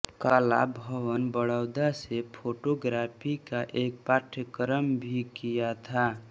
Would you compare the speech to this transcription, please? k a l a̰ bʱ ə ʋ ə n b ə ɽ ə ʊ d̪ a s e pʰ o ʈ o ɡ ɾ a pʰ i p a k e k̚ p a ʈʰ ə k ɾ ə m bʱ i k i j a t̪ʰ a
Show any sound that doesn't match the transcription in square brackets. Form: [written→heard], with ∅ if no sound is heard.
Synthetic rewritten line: k a l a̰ bʱ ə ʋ ə n b ə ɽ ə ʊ d̪ a s e pʰ o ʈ o ɡ ɾ a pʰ i [p→k] a [k→ʔ] e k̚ p a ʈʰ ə k ɾ ə m bʱ i k i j a t̪ʰ a